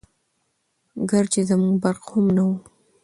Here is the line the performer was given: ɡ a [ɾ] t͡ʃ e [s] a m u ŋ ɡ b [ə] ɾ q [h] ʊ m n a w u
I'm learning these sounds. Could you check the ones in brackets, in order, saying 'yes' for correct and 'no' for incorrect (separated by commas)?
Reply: yes, no, no, yes